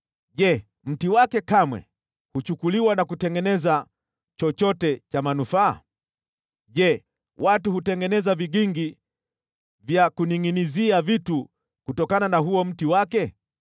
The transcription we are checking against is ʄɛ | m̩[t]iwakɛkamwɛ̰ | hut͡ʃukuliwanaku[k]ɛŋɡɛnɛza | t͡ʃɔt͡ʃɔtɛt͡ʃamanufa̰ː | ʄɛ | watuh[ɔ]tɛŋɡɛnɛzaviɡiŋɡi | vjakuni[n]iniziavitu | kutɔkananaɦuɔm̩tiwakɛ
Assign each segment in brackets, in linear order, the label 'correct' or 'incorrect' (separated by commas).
correct, incorrect, incorrect, incorrect